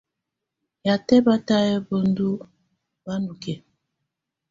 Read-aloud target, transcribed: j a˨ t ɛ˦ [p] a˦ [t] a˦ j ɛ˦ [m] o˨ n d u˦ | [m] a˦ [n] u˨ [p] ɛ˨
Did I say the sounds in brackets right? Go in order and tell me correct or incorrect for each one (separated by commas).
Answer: incorrect, correct, incorrect, incorrect, correct, incorrect